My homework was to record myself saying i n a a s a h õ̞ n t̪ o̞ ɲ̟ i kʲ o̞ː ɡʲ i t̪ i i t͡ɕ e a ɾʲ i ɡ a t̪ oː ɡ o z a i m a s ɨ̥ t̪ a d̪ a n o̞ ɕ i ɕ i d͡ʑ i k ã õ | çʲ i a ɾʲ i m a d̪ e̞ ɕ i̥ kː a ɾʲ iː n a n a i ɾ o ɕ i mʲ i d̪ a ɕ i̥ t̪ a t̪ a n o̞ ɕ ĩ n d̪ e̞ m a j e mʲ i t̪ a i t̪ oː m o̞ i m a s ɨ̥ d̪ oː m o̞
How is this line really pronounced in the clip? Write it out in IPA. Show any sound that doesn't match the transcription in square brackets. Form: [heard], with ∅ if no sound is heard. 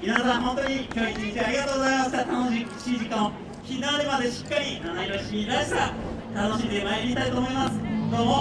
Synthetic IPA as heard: i n a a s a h õ̞ n t̪ o̞ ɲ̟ i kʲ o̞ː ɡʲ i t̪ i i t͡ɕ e a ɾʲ i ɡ a t̪ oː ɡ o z a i m a s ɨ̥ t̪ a [t̪] a n o̞ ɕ i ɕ i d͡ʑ i k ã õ | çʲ i a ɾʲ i m a d̪ e̞ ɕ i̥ kː a ɾʲ [i] n a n a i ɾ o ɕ i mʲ i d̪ a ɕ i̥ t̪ a t̪ a n o̞ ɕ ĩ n d̪ e̞ m a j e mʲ i t̪ a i t̪ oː m o̞ i m a s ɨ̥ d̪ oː m o̞